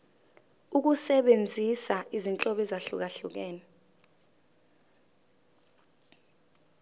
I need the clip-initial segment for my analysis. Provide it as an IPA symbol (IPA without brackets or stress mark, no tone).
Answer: u